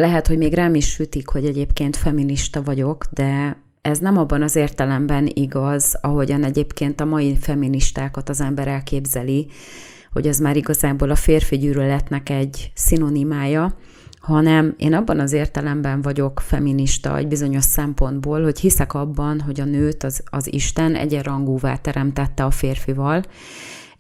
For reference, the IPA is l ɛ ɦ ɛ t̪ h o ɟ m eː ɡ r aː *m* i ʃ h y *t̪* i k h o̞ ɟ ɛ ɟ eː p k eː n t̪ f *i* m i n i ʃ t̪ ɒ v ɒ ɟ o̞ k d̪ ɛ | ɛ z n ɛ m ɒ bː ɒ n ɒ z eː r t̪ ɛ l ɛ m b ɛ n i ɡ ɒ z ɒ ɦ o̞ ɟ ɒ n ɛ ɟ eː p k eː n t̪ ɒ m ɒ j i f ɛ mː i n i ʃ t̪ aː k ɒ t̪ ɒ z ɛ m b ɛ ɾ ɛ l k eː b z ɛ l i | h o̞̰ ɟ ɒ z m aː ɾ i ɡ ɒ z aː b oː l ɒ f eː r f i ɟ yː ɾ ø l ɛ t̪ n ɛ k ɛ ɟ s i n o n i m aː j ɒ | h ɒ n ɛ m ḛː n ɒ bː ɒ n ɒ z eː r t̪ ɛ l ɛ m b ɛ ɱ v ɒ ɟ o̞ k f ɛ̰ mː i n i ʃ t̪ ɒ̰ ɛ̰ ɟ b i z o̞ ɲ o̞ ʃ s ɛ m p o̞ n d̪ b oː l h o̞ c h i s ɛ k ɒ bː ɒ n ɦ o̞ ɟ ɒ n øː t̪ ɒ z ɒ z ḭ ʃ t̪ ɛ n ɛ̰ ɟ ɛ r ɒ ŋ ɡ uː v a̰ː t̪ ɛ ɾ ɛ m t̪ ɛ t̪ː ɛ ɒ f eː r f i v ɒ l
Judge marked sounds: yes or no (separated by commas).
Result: yes, yes, no